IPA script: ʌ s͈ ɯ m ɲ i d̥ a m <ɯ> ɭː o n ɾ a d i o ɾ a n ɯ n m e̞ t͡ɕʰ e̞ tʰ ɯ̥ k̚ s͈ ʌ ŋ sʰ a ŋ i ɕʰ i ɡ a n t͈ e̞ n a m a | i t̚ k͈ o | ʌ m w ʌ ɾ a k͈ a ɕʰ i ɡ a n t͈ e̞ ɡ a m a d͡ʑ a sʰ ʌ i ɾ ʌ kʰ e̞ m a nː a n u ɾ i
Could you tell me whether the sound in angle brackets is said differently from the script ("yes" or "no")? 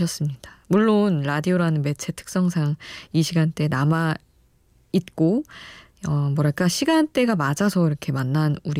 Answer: yes